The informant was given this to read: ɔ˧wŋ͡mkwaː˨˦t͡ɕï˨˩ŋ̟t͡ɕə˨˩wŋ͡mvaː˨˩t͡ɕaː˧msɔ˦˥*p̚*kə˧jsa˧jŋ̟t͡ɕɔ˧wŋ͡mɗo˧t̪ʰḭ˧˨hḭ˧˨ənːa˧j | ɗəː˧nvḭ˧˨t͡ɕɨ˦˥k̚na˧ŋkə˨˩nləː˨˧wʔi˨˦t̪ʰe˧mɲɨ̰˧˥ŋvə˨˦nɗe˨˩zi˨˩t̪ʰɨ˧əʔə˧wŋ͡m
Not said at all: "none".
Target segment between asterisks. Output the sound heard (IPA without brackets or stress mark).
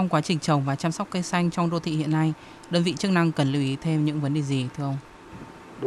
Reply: k͡p̚